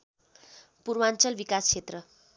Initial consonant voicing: voiceless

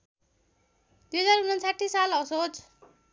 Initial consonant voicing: voiced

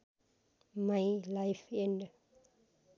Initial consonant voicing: voiced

